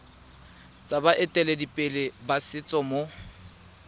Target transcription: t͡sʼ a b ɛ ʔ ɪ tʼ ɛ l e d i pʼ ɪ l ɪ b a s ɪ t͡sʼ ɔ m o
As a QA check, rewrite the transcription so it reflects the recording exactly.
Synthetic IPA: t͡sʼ a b a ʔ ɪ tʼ ɛ l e d i pʼ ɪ l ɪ b a s ɪ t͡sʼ ɔ m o